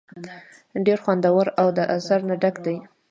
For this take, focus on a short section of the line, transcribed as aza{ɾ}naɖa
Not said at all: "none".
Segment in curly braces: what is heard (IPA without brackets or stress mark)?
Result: ɾ